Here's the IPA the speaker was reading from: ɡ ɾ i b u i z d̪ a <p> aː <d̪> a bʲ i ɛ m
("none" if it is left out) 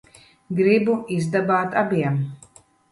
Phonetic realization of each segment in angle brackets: b, t̪

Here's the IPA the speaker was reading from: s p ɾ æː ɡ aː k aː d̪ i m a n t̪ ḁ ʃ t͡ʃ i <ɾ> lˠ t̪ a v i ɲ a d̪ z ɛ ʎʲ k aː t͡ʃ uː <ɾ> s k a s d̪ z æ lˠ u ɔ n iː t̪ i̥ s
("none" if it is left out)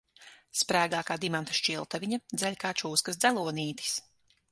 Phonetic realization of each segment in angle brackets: none, none

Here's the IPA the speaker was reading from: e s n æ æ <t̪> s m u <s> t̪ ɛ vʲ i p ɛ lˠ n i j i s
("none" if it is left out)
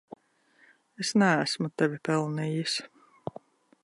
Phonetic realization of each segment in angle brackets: none, none

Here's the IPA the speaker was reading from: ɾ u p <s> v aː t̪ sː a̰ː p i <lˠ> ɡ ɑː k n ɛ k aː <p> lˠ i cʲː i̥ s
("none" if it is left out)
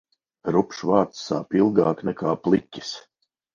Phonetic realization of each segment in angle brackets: ʃ, lˠ, p

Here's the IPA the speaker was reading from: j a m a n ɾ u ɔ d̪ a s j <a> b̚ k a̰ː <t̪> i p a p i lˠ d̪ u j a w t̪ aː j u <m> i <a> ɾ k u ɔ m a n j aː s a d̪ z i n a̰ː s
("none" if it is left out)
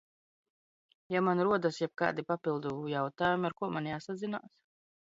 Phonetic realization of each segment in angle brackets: ɛ, d̪, m, a

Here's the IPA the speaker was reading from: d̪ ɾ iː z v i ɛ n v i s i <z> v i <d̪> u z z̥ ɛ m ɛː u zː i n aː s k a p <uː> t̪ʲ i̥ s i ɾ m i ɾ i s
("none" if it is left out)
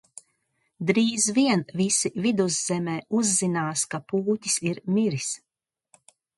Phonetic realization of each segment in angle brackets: none, d̪, uː

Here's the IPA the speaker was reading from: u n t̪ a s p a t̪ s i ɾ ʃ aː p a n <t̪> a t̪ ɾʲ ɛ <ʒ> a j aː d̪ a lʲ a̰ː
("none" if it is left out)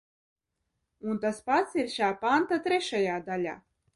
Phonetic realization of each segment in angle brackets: t̪, ʃ

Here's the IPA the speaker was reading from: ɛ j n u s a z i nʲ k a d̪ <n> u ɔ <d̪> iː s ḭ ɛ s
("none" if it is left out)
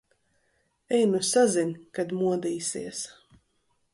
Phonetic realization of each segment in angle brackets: m, d̪

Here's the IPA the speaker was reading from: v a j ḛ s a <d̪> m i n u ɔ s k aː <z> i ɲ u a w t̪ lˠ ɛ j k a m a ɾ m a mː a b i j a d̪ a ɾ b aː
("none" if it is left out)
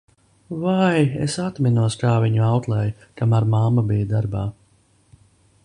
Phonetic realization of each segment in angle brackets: t̪, v

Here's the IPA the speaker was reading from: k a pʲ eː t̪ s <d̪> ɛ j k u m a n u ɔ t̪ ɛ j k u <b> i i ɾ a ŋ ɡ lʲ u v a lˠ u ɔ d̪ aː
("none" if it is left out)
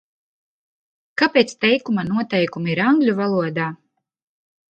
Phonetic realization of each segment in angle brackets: t̪, m

